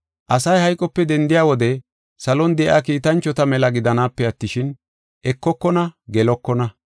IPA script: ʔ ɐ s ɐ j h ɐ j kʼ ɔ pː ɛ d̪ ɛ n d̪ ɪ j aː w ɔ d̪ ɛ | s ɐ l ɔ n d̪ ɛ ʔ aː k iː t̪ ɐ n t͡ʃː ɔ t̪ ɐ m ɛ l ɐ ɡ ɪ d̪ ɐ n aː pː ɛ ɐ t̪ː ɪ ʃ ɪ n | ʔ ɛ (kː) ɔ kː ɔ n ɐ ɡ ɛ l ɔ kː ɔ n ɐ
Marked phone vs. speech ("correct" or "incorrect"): correct